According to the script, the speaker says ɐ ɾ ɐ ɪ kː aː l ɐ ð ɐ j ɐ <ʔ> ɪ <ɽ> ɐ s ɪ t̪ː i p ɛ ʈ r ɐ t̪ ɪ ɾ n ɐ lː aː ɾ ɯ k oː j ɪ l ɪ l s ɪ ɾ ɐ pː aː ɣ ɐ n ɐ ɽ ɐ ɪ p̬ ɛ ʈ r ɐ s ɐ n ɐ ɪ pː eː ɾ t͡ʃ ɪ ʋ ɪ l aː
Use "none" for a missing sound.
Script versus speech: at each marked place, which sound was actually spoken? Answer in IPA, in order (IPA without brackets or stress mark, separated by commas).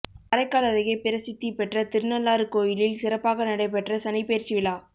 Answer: p, ɾ